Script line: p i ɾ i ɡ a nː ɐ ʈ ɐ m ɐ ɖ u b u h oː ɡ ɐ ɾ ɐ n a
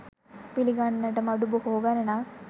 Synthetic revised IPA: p i l i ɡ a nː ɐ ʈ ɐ m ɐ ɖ u b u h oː ɡ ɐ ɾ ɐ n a